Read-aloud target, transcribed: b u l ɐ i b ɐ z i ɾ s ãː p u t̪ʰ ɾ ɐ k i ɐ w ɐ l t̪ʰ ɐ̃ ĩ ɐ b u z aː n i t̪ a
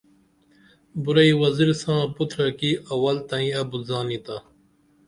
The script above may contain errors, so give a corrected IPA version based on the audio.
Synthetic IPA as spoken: b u ɾ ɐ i w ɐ z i ɾ s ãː p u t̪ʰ ɾ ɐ k i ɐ w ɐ l t̪ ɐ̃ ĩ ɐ b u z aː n i t̪ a